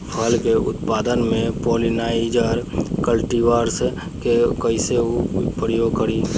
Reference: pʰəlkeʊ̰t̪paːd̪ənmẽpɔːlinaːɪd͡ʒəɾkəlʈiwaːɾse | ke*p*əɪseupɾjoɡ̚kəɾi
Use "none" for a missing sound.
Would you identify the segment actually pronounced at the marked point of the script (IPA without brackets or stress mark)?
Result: k